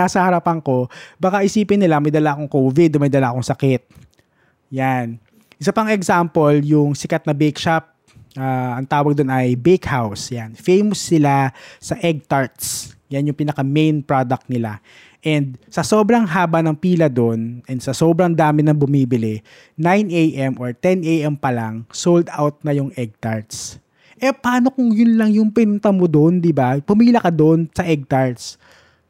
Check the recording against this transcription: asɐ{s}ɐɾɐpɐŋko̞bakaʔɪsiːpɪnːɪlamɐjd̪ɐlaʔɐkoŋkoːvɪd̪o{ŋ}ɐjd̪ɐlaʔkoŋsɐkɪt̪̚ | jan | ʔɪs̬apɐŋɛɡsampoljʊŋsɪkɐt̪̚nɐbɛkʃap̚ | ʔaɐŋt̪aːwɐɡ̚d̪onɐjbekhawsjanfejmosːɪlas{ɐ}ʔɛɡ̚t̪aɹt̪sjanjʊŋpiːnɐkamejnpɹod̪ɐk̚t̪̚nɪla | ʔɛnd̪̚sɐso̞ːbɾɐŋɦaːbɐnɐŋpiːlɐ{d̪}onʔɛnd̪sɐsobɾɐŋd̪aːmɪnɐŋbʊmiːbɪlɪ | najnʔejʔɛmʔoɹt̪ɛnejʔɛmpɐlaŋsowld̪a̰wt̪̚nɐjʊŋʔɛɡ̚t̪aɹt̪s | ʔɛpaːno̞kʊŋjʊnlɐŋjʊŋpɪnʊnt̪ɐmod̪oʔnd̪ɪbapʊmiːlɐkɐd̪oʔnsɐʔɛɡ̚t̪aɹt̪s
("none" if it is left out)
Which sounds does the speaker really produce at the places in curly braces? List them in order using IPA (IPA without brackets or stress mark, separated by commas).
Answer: h, m, ɐ, d̪